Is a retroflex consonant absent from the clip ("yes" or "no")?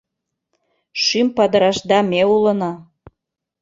yes